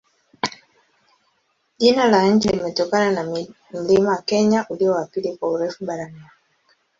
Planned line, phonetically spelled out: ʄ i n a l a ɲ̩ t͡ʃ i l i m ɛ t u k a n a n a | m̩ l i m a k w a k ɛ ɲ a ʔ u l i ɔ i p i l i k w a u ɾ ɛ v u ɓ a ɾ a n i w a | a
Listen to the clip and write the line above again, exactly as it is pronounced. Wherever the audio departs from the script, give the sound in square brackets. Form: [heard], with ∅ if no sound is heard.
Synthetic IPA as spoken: ʄ i n a l a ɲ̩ t͡ʃ i l i m ɛ t [ɔ] k a n a n a | m̩ l i m a [∅] w a k ɛ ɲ a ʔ u l i ɔ [a] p i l i k w a u ɾ ɛ [f] u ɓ a ɾ a n i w a | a